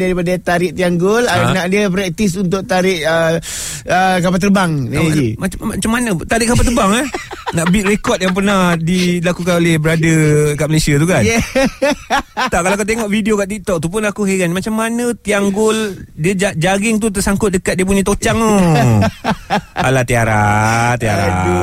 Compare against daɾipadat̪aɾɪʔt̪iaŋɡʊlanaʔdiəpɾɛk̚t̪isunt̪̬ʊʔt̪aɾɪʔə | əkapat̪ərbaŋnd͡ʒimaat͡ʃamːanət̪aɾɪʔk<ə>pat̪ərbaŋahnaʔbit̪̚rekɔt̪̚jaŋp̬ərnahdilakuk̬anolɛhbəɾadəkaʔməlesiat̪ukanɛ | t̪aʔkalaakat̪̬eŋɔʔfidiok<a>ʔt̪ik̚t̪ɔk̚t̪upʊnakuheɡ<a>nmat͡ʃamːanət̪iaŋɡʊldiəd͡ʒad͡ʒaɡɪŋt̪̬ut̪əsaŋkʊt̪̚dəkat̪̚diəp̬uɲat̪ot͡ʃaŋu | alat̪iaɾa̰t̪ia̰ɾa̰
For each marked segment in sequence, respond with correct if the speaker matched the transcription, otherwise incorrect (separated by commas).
incorrect, correct, correct